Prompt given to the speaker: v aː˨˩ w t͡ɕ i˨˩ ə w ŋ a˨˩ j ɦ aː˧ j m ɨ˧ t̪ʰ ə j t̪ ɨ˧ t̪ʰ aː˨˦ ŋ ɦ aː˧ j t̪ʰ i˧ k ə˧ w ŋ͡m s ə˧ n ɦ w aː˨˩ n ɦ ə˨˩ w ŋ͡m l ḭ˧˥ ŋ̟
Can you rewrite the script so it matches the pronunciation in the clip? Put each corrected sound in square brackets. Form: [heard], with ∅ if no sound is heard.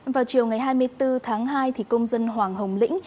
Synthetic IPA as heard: v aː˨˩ w t͡ɕ i˨˩ ə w ŋ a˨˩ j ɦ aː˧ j m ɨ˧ [∅] ə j t̪ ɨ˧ t̪ʰ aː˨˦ ŋ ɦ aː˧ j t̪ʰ [i˨˩] k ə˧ w ŋ͡m [z] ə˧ n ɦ w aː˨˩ [ŋ] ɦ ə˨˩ w ŋ͡m l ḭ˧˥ ŋ̟